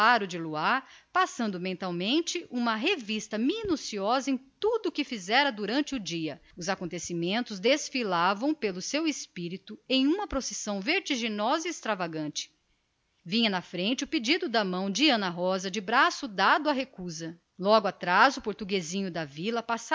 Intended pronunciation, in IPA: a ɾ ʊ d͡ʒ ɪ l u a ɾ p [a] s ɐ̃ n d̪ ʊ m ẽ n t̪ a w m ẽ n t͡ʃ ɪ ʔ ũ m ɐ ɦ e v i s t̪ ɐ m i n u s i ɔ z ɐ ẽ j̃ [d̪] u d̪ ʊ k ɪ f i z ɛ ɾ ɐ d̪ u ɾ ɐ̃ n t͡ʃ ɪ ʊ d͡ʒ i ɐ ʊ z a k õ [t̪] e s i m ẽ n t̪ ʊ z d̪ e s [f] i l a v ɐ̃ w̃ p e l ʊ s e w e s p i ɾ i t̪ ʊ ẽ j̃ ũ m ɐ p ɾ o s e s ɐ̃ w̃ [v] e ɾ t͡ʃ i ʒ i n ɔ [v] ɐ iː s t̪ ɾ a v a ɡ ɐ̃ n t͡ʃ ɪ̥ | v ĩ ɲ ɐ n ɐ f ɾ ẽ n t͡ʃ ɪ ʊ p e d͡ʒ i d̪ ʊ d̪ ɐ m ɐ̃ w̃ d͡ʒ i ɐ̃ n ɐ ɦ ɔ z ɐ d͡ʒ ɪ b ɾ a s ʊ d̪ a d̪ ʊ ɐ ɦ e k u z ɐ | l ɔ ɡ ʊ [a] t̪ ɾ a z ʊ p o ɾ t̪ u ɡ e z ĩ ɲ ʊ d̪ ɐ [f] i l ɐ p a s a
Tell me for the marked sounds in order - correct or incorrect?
correct, incorrect, correct, correct, correct, incorrect, correct, incorrect

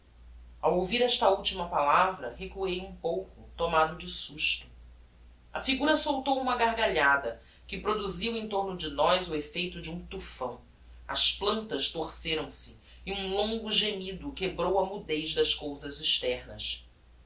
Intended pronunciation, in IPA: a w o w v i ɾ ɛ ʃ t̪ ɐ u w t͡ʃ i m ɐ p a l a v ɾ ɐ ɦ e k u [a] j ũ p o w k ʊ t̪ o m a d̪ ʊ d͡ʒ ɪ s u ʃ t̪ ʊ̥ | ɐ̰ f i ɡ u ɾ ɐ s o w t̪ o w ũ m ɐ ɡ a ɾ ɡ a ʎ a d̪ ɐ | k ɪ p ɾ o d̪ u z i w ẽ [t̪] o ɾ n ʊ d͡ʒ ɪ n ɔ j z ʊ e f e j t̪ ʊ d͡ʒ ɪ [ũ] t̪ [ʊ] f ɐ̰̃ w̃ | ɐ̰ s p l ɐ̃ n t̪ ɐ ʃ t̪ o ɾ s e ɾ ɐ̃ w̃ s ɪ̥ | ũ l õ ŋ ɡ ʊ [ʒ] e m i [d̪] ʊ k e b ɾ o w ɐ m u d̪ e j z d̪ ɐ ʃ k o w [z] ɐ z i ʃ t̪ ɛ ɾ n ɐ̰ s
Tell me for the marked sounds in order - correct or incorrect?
incorrect, correct, correct, incorrect, correct, correct, correct

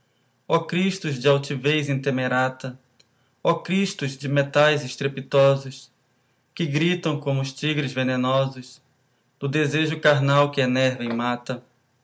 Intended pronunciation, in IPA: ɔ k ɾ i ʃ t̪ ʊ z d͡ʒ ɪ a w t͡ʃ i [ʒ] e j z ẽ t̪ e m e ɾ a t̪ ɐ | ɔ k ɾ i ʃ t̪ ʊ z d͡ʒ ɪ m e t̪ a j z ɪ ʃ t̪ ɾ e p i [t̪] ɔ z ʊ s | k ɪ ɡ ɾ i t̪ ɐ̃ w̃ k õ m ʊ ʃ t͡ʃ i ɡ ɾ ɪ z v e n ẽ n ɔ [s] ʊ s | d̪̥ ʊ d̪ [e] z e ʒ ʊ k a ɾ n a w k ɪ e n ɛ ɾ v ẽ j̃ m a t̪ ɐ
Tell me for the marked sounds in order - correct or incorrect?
incorrect, correct, incorrect, correct

